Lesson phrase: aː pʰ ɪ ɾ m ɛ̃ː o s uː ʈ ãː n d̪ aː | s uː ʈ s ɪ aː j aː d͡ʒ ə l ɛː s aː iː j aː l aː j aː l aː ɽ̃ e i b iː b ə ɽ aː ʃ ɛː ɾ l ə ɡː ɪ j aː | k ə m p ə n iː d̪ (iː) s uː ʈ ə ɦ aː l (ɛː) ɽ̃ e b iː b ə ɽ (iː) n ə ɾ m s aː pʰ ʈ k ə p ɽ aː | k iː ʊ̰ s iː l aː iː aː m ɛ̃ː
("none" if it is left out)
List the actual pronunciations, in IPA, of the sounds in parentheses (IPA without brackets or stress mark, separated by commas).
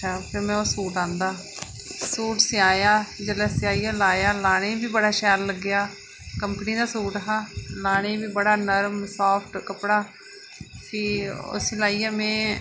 aː, aː, aː